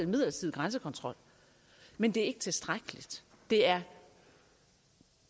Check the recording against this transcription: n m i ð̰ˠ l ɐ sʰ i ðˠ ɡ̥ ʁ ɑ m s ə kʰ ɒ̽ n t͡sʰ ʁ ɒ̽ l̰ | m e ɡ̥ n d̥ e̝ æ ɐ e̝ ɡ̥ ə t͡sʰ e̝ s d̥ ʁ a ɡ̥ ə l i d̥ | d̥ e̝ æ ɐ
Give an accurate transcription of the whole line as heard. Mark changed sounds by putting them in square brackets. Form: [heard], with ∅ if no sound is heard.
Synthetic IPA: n m i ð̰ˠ l ɐ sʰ i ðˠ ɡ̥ ʁ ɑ [n] s ə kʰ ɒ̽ n t͡sʰ ʁ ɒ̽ l̰ | m e [∅] n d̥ e̝ æ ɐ e̝ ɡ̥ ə t͡sʰ e̝ s d̥ ʁ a ɡ̥ ə l i d̥ | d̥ e̝ æ ɐ